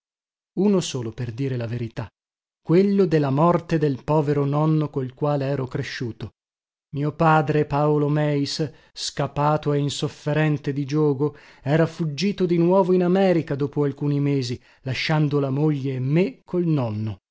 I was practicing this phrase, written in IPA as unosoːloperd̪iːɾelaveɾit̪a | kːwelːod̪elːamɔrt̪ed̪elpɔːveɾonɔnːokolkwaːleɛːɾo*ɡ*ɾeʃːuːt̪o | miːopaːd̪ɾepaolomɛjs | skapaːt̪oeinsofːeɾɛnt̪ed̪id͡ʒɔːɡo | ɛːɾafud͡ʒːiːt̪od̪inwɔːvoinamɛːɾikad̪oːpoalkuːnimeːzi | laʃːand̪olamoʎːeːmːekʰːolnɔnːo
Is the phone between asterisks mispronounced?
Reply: yes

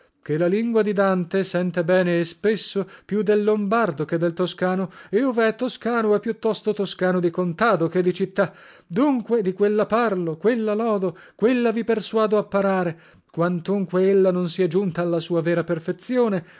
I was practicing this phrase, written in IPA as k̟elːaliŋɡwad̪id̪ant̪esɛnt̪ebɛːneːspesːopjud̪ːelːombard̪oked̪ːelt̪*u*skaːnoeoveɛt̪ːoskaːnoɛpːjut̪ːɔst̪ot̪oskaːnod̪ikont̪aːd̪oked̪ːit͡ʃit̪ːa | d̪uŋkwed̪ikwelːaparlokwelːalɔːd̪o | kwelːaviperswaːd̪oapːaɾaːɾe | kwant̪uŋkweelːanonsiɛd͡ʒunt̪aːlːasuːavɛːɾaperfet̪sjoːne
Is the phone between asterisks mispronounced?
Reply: yes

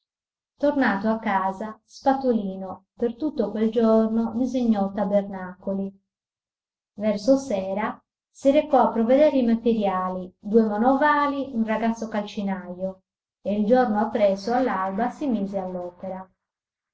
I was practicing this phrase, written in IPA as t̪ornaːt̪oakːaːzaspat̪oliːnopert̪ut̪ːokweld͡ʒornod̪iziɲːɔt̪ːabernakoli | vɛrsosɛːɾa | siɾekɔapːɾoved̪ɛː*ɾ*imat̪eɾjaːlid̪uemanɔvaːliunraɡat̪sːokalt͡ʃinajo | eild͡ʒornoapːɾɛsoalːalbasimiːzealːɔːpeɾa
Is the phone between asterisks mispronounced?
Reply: no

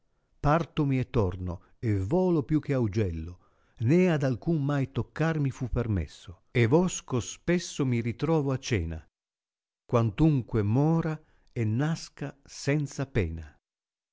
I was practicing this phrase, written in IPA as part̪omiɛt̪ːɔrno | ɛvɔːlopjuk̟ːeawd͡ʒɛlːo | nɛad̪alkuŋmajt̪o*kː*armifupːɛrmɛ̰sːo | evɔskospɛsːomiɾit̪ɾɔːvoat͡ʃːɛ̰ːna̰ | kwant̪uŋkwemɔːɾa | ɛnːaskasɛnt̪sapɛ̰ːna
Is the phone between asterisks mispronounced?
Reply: no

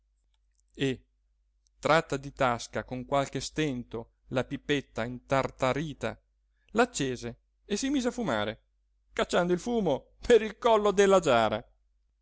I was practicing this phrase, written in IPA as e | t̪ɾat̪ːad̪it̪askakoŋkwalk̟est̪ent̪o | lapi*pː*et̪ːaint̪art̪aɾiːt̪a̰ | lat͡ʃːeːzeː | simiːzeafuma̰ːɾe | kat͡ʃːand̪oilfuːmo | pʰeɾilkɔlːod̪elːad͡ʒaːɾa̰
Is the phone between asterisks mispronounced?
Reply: no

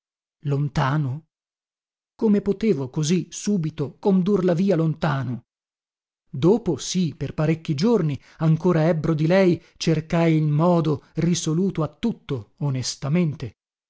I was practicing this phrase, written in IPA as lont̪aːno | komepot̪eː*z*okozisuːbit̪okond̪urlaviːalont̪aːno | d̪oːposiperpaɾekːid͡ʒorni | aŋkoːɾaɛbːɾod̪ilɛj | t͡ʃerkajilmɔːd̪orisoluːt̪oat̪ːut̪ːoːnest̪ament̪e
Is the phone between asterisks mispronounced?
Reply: yes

